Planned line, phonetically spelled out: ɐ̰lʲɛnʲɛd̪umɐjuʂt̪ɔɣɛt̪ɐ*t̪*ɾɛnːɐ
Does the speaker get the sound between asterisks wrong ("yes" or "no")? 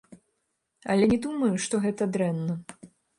yes